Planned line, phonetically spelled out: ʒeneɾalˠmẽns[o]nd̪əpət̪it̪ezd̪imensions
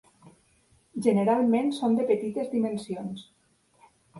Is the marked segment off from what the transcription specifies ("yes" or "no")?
no